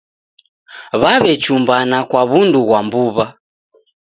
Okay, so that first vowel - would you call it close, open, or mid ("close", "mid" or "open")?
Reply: open